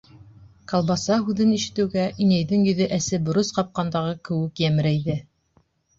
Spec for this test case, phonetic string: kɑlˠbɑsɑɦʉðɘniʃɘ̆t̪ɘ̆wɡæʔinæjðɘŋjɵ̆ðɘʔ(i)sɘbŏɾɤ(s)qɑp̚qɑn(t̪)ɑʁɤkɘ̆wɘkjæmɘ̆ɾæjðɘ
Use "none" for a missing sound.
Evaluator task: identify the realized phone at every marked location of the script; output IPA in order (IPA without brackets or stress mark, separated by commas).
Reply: æ, s, d̪